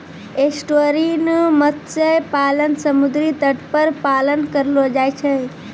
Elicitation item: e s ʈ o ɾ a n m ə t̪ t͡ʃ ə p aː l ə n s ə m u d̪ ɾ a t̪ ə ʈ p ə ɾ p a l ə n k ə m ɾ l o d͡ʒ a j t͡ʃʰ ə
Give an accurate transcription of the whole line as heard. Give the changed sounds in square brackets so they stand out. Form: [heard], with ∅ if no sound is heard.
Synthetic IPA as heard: e s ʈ o ɾ [i] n m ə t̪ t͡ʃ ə p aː l ə n s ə m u d̪ ɾ [i] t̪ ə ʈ p ə ɾ p a l ə n k ə [∅] ɾ l o d͡ʒ a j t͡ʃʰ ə